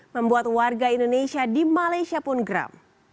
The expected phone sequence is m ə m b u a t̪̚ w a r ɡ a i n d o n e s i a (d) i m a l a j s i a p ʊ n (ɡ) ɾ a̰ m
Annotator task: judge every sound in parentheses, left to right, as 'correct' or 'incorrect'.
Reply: correct, correct

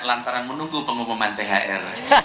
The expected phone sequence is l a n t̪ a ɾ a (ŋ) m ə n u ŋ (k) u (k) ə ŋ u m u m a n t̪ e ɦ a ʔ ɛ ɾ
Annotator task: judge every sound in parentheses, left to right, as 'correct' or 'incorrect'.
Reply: incorrect: n, incorrect: ɡ, incorrect: p

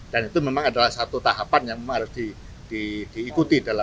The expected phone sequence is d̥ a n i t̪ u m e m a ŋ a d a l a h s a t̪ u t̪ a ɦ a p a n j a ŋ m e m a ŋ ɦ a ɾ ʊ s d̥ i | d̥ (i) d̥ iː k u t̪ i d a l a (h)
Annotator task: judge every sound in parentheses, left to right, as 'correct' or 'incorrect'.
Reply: correct, incorrect: none

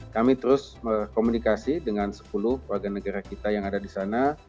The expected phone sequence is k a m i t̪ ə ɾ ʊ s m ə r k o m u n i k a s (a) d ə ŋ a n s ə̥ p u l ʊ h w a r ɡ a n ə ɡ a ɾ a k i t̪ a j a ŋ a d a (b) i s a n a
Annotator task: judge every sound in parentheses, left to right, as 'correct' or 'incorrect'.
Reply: incorrect: i, incorrect: d

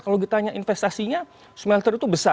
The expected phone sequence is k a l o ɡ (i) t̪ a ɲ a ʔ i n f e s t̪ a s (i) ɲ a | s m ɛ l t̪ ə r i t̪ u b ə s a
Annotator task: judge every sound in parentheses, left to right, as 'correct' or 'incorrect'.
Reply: correct, correct

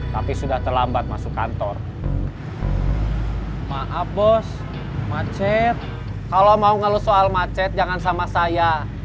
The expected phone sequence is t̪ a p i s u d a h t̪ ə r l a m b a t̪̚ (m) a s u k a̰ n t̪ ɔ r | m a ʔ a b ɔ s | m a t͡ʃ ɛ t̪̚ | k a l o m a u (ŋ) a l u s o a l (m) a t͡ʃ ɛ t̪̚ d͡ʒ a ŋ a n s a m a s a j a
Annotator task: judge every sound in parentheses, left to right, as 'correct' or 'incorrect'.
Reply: correct, correct, correct

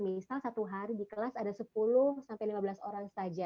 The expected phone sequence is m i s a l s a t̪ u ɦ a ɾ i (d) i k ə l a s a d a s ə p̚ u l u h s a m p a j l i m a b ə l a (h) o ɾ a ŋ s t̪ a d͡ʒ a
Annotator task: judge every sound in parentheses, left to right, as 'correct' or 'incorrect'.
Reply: correct, incorrect: s

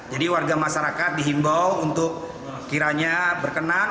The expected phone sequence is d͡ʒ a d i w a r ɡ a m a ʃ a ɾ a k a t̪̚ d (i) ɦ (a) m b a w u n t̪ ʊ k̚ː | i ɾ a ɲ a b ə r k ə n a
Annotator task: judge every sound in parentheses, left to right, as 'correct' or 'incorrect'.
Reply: correct, incorrect: i

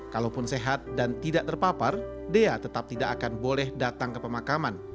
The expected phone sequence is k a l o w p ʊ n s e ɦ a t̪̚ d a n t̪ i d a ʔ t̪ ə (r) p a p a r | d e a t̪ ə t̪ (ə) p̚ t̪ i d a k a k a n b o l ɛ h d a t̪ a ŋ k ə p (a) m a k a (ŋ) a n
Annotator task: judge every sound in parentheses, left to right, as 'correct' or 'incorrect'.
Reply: correct, incorrect: a, incorrect: ə, incorrect: m

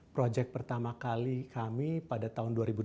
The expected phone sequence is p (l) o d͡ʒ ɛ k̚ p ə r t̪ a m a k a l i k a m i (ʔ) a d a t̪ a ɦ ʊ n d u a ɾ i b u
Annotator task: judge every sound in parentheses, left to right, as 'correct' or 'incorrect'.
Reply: incorrect: ɾ, incorrect: p

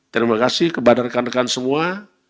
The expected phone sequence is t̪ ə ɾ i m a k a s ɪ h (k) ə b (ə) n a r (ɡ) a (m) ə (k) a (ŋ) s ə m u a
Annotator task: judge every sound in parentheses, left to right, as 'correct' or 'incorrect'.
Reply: correct, incorrect: a, incorrect: k, incorrect: n, correct, incorrect: n

